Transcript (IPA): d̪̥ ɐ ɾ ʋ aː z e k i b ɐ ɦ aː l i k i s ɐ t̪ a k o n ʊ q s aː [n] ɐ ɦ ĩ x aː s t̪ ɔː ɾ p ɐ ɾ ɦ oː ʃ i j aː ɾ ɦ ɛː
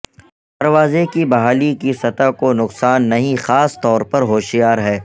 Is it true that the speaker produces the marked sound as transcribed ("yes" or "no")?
no